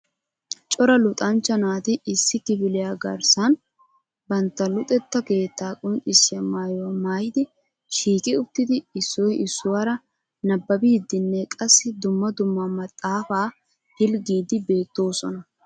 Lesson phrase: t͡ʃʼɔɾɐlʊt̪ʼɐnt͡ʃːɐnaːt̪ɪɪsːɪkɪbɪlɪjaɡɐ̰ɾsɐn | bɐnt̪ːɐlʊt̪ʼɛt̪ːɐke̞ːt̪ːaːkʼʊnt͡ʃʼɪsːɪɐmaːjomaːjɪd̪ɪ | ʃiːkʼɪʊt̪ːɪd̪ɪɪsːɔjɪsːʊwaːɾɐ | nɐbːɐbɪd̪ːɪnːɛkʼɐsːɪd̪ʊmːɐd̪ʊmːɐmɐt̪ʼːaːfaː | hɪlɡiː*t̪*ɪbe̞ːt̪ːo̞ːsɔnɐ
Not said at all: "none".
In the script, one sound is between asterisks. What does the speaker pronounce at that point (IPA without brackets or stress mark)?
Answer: d̪